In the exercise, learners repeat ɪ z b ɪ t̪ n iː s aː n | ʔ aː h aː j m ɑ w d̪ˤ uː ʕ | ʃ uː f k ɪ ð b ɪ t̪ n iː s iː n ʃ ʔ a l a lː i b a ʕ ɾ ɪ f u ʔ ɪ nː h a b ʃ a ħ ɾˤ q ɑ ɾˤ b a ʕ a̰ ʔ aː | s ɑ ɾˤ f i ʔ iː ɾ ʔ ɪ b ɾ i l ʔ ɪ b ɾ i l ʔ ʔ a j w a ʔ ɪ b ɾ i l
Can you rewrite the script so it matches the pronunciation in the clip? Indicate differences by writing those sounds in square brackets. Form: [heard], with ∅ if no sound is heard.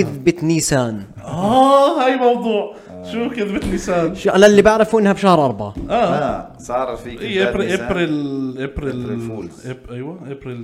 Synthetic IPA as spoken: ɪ [ð] b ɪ t̪ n iː s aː n | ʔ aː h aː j m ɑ w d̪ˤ uː ʕ | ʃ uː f k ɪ ð b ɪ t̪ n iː s [aː] n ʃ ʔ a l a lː i b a ʕ ɾ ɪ f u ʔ ɪ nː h a b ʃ a [h] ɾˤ [ʔ] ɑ ɾˤ b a ʕ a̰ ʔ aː | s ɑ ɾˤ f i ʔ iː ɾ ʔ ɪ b ɾ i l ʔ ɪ b ɾ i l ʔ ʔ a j w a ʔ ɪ b ɾ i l